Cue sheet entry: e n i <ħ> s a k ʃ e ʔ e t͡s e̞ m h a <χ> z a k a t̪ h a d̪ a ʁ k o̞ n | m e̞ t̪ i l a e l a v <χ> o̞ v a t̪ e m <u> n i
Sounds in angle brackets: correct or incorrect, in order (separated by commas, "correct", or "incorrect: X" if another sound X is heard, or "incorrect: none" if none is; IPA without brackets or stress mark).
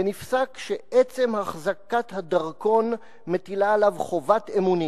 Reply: incorrect: f, correct, correct, correct